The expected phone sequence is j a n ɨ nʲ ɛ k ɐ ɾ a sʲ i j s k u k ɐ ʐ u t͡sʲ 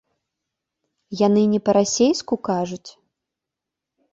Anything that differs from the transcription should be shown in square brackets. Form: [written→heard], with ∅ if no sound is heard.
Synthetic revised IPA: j a n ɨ nʲ ɛ [k→p] ɐ ɾ a sʲ [i→e] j s k u k [ɐ→a] ʐ u t͡sʲ